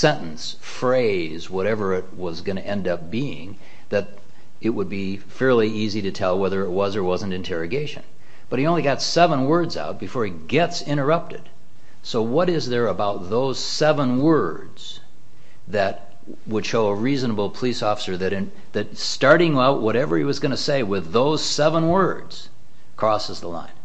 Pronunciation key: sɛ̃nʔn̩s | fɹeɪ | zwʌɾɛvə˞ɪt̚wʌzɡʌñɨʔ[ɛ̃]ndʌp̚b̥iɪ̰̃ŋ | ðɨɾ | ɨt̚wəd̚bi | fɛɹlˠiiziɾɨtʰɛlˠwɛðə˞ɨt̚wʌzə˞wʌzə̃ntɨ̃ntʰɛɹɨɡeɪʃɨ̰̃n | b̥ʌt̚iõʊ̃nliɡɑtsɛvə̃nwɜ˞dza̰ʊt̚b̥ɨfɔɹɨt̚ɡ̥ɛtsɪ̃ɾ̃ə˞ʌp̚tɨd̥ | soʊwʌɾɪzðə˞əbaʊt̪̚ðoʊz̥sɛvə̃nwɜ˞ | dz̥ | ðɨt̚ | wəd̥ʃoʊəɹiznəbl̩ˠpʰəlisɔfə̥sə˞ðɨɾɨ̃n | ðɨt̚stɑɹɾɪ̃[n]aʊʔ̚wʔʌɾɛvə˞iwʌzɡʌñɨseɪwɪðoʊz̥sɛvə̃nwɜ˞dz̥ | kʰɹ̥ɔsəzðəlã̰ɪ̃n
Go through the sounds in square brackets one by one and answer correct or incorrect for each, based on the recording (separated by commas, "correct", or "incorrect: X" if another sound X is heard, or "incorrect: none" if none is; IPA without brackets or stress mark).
correct, incorrect: ŋ